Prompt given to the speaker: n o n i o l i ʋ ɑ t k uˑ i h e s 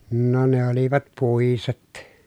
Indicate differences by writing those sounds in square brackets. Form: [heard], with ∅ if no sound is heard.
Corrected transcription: n o n [e] o l i ʋ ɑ t [p] uˑ i [s] e [t]